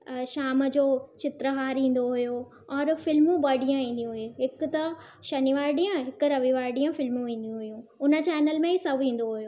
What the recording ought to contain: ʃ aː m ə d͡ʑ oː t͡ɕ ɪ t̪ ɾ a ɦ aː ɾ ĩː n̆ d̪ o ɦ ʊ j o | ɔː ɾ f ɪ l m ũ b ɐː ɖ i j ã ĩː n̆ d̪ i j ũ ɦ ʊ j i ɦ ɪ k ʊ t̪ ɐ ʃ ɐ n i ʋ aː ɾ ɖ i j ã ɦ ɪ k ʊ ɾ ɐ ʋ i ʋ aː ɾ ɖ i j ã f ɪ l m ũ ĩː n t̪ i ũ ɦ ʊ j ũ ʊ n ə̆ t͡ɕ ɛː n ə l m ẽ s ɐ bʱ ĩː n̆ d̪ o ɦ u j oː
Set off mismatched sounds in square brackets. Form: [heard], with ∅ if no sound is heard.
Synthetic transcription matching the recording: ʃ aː m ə d͡ʑ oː t͡ɕ ɪ t̪ ɾ [ə] ɦ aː ɾ ĩː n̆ d̪ o ɦ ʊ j o | ɔː ɾ f ɪ l m ũ b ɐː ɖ i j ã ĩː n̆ d̪ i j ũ ɦ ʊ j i ɦ ɪ k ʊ t̪ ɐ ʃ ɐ n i ʋ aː ɾ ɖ i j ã ɦ ɪ k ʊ ɾ ɐ ʋ i ʋ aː ɾ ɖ i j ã f ɪ l m ũ ĩː n [d̪] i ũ ɦ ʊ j ũ ʊ n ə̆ t͡ɕ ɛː n ə l m ẽ s ɐ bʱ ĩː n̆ d̪ o ɦ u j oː